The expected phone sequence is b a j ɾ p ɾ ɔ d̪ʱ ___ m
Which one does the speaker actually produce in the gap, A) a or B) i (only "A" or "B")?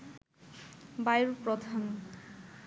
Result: A